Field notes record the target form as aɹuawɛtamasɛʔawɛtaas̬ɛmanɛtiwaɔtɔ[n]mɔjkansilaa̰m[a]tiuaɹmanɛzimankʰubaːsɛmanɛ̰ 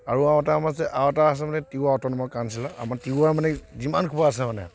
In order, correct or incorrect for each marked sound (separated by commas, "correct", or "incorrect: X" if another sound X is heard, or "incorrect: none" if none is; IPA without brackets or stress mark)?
correct, correct